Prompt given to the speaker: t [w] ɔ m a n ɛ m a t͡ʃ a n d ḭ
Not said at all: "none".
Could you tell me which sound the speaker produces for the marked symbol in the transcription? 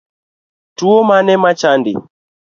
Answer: u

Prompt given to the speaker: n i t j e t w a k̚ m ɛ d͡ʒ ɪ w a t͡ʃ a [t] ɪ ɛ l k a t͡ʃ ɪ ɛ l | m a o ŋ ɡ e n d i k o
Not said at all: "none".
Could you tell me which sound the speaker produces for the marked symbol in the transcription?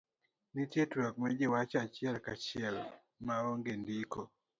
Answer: t͡ʃ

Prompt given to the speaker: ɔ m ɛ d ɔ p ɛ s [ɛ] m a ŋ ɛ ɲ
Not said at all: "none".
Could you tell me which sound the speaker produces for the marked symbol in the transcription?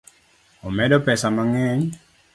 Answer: a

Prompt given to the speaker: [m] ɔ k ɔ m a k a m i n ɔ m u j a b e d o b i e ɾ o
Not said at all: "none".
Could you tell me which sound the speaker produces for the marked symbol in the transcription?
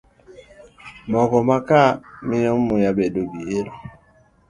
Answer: m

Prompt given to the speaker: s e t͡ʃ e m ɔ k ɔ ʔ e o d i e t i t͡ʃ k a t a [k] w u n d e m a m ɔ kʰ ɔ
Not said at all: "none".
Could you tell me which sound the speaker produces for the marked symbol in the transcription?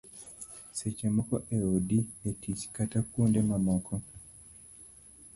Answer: k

